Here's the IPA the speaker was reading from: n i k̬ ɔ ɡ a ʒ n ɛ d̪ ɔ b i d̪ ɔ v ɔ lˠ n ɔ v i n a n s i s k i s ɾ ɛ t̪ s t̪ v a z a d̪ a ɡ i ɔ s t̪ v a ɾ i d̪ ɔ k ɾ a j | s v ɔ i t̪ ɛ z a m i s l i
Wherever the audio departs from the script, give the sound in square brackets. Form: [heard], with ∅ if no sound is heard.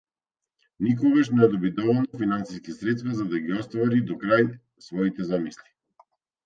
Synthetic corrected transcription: n i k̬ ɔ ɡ a [ʃ] n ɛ d̪ ɔ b i d̪ ɔ v ɔ lˠ n ɔ [f] i n a n s i s k i s ɾ ɛ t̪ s t̪ v a z a d̪ a ɡ i ɔ s t̪ v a ɾ i d̪ ɔ k ɾ a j | s v ɔ i t̪ ɛ z a m i s l i